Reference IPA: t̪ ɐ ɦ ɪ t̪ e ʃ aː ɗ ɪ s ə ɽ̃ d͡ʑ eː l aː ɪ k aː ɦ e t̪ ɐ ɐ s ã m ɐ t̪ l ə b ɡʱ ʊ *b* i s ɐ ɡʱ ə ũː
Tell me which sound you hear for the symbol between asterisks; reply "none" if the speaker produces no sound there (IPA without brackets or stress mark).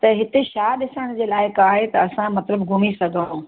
m